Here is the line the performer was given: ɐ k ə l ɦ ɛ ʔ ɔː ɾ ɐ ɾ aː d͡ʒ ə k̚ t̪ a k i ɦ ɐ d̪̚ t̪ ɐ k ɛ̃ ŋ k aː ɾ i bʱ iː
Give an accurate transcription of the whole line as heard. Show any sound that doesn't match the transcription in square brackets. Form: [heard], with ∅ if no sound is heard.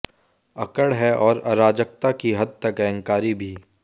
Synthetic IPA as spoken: ɐ k ə [ɽ] ɦ ɛ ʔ ɔː ɾ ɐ ɾ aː d͡ʒ ə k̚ t̪ a k i ɦ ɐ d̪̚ t̪ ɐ k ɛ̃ ŋ k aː ɾ i bʱ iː